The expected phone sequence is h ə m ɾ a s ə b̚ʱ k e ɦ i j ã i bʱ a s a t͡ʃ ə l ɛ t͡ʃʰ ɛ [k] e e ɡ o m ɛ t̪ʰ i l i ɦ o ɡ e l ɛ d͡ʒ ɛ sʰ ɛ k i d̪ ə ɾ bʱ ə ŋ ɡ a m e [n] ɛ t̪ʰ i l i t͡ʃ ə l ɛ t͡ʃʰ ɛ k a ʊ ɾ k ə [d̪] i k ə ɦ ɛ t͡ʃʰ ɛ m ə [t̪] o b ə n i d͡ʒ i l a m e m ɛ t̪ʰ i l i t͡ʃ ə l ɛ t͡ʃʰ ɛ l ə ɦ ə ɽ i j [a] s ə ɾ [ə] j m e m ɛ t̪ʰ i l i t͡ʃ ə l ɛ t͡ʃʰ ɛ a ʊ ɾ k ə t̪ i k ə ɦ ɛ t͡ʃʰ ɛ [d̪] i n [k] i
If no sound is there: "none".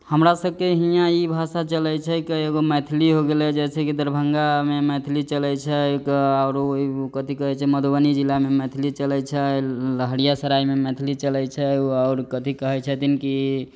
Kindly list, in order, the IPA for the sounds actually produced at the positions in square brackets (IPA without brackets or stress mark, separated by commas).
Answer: k, m, t̪, d̪, a, a, t̪, k